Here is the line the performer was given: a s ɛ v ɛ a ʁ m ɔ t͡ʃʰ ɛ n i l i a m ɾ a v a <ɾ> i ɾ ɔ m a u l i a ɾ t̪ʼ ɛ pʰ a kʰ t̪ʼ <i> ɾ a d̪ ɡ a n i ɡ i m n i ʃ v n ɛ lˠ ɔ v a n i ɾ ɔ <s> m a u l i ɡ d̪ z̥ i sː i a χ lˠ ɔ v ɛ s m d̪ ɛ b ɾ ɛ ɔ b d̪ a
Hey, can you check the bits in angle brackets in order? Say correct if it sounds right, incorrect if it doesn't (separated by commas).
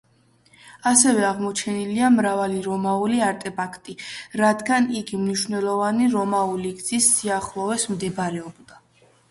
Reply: incorrect, correct, incorrect